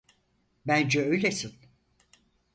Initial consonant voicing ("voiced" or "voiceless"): voiced